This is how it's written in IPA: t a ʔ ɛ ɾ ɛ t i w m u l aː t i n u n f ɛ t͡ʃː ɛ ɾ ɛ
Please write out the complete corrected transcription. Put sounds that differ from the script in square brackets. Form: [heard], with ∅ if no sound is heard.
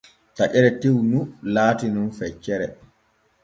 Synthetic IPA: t a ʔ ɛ ɾ ɛ t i w [n] u l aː t i n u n f ɛ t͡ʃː ɛ ɾ ɛ